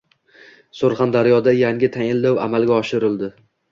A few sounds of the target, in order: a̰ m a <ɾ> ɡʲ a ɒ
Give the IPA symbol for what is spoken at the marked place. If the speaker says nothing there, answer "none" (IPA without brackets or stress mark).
l